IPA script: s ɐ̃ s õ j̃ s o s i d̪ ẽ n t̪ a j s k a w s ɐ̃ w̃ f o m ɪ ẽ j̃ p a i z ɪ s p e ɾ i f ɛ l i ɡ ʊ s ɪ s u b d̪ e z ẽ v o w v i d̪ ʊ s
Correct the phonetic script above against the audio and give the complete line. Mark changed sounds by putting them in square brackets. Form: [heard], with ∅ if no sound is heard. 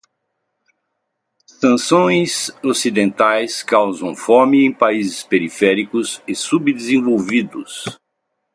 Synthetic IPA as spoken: s ɐ̃ s õ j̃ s o s i d̪ ẽ n t̪ a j s k a w [z] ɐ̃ w̃ f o m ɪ ẽ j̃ p a i z ɪ s p e ɾ i f ɛ [ɾ] i [k] ʊ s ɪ s u b d̪ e z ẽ v o w v i d̪ ʊ s